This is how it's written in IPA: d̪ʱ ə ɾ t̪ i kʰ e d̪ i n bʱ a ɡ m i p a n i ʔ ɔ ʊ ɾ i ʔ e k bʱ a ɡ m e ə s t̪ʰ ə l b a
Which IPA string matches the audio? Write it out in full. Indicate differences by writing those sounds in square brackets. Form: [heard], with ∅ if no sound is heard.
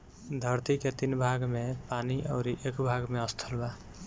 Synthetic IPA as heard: d̪ʱ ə ɾ t̪ i [k] e [t̪] i n bʱ a ɡ m [e] p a n i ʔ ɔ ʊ ɾ i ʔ e k bʱ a ɡ m e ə s t̪ʰ ə l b a